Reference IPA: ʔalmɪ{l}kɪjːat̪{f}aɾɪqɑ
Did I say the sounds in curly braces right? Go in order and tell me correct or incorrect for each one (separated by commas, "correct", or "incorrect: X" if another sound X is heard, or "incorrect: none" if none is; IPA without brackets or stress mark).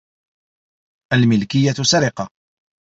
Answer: correct, incorrect: s